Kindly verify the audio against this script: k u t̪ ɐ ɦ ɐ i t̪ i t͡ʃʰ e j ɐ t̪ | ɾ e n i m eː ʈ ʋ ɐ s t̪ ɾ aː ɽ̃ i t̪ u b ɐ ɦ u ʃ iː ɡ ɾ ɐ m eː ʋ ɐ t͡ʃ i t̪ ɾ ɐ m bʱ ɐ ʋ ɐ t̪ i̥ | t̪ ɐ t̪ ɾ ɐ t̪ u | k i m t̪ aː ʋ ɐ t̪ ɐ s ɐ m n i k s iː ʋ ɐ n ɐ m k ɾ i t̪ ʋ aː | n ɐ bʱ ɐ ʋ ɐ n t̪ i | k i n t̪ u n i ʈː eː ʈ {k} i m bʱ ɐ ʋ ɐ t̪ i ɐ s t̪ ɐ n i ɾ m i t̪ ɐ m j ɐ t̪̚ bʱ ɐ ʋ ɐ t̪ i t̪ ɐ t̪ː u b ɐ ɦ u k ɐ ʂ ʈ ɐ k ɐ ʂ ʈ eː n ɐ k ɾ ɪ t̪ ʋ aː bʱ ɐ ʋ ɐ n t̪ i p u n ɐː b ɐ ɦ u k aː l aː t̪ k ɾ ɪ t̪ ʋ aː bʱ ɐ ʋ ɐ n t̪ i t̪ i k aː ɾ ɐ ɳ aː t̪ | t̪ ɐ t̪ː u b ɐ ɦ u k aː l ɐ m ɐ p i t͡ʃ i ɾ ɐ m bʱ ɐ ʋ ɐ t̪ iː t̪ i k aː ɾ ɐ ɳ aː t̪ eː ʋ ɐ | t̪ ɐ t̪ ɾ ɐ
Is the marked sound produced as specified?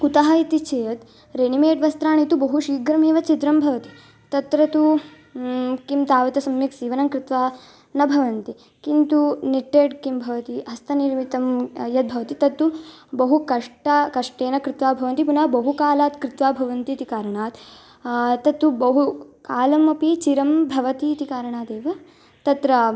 yes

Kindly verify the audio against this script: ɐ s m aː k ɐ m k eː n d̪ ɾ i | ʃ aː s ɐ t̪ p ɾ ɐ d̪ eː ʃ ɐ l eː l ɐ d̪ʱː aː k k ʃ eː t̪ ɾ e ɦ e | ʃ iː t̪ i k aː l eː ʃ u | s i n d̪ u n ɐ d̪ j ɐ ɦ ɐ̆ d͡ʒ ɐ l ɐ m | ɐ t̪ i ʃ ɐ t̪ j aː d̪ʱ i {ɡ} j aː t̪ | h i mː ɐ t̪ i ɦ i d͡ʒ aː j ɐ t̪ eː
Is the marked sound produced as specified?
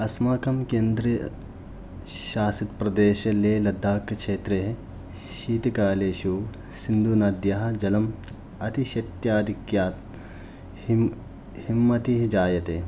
no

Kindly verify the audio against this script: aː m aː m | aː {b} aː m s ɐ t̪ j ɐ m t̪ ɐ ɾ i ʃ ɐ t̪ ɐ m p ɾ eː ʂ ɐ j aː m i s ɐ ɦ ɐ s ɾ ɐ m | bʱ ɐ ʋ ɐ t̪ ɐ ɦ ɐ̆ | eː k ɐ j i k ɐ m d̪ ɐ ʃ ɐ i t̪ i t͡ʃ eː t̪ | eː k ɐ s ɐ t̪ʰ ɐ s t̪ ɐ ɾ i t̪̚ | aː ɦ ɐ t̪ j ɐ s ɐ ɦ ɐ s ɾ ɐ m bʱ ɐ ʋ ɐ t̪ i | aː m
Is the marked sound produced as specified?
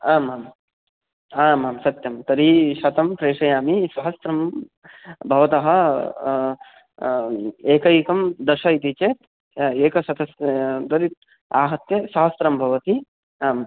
no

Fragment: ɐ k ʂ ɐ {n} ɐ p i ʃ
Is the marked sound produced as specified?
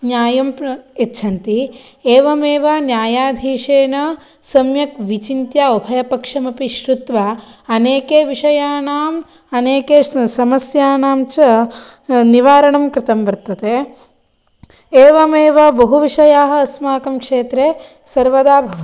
no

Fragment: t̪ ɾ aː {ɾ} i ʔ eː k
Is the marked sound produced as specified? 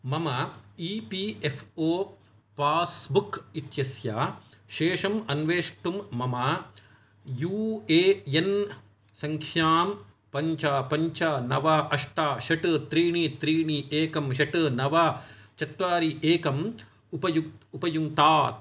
yes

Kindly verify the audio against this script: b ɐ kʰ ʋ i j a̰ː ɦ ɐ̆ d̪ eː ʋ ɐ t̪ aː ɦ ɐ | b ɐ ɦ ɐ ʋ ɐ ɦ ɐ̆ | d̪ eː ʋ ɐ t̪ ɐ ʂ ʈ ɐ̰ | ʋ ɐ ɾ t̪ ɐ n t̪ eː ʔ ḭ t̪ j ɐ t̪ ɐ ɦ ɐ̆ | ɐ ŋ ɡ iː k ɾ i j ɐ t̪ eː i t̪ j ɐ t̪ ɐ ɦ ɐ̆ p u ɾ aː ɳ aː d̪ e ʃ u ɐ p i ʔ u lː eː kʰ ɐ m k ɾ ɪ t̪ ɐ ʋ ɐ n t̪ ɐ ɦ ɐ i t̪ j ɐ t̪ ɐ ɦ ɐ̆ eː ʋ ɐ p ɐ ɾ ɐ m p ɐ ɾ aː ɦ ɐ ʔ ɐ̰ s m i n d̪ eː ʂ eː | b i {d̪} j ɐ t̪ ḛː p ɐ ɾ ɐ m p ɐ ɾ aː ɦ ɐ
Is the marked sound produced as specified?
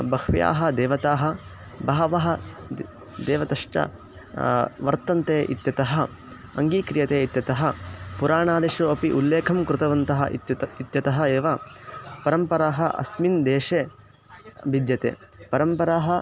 yes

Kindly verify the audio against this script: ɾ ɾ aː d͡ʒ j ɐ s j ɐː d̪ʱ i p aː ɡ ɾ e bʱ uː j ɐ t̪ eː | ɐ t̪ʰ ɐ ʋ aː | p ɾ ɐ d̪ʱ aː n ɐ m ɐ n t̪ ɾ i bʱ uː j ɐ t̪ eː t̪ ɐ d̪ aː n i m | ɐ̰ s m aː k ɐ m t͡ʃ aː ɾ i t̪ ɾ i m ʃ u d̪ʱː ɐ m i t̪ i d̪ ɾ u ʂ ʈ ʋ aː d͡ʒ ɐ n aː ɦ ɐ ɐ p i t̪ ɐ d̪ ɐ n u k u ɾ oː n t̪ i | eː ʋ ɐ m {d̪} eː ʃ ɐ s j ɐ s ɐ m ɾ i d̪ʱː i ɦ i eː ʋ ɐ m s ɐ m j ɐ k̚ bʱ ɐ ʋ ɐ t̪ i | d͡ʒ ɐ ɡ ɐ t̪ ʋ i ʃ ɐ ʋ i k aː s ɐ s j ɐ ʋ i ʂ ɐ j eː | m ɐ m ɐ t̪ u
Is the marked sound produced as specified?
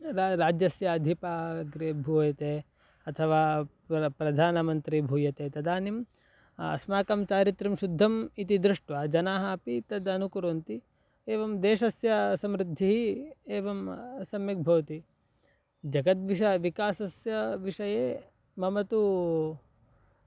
yes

